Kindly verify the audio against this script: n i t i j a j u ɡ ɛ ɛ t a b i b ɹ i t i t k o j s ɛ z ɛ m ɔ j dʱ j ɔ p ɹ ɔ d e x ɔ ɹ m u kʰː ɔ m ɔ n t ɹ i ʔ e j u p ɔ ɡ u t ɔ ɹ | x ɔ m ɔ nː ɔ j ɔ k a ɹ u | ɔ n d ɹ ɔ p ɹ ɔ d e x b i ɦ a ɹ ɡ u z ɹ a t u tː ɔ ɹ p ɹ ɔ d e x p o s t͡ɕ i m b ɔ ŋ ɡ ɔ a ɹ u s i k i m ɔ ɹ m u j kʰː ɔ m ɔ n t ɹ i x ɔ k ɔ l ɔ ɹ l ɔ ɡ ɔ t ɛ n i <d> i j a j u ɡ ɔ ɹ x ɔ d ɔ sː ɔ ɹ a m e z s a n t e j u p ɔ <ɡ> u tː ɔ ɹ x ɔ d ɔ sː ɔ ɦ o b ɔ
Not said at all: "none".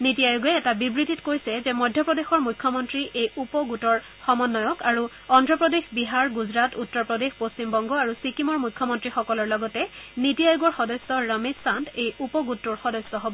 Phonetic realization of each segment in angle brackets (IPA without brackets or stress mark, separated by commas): t, ɡ